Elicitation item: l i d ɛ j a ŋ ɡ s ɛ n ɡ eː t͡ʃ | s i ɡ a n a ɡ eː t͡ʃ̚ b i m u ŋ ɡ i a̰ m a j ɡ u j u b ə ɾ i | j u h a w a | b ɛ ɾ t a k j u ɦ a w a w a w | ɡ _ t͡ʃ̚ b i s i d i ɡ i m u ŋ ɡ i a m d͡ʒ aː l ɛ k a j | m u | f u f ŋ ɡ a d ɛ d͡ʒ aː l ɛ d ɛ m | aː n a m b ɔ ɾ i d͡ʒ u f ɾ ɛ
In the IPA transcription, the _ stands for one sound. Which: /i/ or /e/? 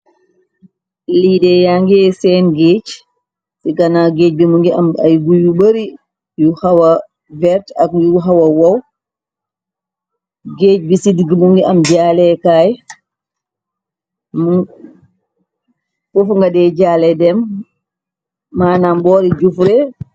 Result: e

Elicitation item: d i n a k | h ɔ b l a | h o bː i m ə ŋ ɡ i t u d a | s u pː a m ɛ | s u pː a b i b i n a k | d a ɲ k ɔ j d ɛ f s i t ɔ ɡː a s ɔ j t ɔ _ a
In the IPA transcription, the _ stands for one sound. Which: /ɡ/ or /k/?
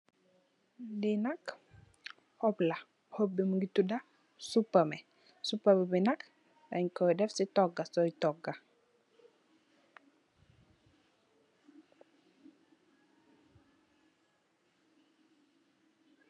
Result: ɡ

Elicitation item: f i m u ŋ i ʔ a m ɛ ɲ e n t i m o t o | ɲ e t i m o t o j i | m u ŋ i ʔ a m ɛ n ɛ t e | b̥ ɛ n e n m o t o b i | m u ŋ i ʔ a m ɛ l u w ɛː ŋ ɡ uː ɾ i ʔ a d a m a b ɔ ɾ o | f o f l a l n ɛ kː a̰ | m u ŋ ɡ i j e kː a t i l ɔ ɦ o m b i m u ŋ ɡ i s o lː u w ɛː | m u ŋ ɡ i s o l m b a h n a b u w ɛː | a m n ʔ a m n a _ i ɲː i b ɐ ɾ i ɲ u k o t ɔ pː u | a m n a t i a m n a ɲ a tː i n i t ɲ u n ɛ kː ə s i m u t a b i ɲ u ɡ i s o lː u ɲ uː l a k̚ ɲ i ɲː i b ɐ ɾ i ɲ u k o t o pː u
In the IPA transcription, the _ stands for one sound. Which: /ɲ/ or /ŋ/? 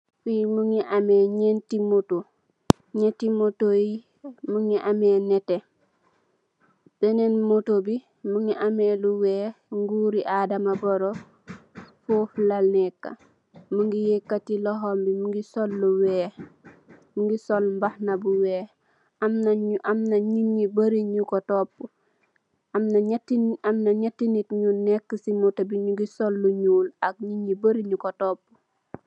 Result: ɲ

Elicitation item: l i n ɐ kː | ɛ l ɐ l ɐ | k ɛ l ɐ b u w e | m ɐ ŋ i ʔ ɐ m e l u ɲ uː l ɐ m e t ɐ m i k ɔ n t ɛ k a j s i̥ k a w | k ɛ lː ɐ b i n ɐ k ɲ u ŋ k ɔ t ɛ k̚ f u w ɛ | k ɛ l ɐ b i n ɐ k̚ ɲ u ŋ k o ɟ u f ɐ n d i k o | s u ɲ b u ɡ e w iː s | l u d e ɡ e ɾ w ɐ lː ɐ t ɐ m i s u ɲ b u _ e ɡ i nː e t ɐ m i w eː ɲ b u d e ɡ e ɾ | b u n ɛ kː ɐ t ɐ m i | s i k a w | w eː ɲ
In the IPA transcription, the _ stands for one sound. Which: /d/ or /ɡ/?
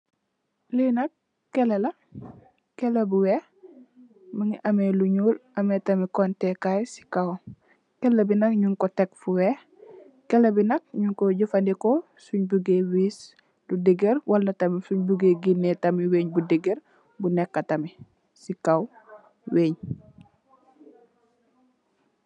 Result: ɡ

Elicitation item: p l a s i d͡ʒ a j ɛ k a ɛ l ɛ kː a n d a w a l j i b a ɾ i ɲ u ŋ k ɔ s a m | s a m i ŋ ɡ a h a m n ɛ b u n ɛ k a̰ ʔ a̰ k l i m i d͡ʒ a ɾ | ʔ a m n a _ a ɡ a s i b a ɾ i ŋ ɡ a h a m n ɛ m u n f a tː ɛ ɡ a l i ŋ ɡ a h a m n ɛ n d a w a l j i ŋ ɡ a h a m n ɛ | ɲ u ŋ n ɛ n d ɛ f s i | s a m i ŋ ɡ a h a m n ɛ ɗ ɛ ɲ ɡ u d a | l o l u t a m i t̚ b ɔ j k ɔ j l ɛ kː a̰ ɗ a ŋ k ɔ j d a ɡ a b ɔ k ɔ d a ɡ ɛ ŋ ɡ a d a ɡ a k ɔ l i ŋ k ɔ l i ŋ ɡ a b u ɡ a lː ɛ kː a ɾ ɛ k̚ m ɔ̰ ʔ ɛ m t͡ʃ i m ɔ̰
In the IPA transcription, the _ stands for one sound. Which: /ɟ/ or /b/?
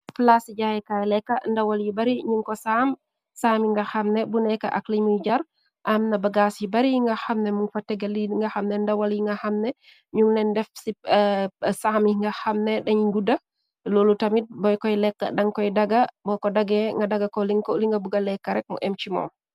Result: b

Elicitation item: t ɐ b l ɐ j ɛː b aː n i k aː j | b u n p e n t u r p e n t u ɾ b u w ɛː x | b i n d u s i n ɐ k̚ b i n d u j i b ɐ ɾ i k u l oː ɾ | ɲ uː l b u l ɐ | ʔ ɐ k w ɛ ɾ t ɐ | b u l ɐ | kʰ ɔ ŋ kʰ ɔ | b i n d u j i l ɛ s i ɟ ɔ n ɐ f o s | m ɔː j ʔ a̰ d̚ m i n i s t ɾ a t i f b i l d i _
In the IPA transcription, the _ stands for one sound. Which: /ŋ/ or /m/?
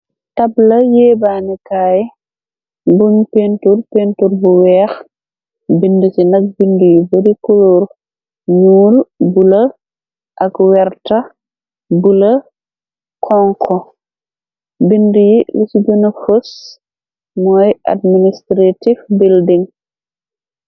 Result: ŋ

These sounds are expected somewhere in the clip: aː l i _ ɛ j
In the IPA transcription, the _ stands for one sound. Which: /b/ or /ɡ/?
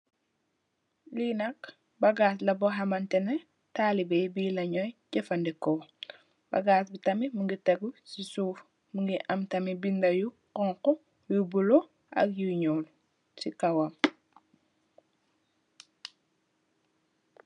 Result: b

